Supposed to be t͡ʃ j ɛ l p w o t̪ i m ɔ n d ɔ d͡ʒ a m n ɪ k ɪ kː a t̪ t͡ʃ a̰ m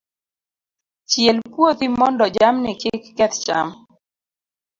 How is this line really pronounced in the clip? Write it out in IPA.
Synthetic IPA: t͡ʃ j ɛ l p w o t̪ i m ɔ n d ɔ d͡ʒ a m n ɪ k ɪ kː ɛ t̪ t͡ʃ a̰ m